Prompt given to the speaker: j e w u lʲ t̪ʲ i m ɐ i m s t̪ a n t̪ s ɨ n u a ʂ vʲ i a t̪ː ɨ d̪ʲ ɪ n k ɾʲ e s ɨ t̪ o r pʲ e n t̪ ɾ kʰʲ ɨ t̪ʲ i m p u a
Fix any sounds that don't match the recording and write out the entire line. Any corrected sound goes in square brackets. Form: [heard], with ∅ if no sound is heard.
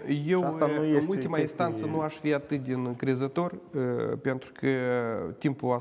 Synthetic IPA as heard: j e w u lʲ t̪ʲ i m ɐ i [n] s t̪ a n t̪ s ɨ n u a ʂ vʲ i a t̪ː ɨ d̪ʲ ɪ n k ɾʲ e [z] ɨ t̪ o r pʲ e n t̪ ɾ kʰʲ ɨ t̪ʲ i m p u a